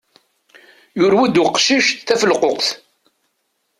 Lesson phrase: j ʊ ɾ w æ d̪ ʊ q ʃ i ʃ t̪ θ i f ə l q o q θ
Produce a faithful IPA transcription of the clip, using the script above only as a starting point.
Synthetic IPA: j ʊ ɾ w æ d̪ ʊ q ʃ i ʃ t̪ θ æ f ə l q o q θ